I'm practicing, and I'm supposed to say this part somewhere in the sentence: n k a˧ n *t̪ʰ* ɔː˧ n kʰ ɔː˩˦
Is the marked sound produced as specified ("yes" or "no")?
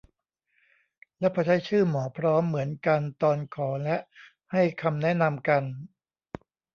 no